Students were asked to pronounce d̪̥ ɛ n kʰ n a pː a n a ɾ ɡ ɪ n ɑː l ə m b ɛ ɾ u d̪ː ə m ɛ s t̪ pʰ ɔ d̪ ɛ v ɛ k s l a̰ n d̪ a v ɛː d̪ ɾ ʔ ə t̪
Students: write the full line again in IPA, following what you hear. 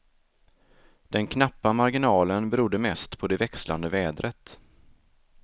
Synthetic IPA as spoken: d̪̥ ɛ n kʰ n a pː a m a ɾ ɡ ɪ n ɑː l ə n b ɛ ɾ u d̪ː ə m ɛ s t̪ pʰ ɔ d̪ ɛ v ɛ k s l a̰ n d̪ ə v ɛː d̪ ɾ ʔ ə t̪